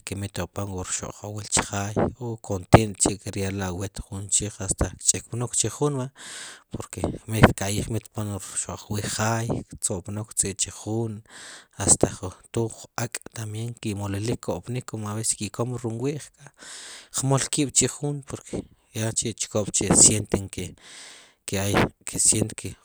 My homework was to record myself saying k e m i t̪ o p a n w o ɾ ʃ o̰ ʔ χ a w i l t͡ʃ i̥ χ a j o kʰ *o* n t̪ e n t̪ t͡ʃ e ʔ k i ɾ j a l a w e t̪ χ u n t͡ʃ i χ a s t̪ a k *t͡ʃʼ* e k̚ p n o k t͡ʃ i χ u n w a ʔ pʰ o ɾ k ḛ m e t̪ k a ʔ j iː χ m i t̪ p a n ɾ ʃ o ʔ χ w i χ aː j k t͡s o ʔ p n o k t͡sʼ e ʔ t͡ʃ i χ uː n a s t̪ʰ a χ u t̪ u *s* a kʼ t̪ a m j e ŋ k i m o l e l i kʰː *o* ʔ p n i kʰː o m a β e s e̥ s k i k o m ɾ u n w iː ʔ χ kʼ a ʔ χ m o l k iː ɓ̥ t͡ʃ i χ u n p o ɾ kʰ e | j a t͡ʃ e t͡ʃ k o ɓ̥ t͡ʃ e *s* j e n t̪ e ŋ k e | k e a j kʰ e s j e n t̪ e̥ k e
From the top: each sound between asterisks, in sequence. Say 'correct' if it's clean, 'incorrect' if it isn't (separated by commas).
correct, correct, incorrect, correct, correct